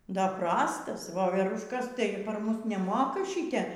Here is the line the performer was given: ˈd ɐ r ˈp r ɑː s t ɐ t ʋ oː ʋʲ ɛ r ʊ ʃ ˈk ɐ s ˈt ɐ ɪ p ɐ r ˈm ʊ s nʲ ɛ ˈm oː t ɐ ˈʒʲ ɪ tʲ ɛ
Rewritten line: ˈd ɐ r ˈp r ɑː s t ɐ s ʋ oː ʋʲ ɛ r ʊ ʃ ˈk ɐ s ˈt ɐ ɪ p ɐ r ˈm ʊ s nʲ ɛ ˈm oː k ɐ ˈʃʲ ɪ tʲ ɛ